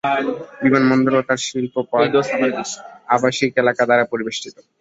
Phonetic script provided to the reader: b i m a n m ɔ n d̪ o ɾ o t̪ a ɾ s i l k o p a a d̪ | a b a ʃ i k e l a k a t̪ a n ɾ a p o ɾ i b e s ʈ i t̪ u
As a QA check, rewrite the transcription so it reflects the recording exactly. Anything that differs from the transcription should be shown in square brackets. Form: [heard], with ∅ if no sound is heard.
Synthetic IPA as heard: b i m a n m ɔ n d̪ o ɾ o t̪ a ɾ [ʃ] i l [p] o p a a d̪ | a b a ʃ i k e l a k a [d̪] a [∅] ɾ a p o ɾ i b e [ʃ] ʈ i t̪ [o]